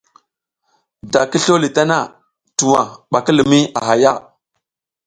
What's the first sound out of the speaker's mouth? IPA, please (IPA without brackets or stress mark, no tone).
d